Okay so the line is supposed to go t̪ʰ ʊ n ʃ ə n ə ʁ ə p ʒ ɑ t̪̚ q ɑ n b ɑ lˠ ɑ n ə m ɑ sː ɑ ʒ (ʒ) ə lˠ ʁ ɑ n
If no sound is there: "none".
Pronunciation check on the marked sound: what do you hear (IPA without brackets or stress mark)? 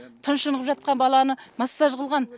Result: ʁ